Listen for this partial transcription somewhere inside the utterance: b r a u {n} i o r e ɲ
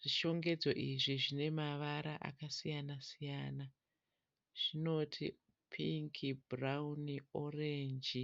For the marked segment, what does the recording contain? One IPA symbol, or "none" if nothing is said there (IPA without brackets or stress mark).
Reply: n